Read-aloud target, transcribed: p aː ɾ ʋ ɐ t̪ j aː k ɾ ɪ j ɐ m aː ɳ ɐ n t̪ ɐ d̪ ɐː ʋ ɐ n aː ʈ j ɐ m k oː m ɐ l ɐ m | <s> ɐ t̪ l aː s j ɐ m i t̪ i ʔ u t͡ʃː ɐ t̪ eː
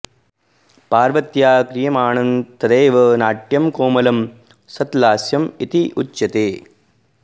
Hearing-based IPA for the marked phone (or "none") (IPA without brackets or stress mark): s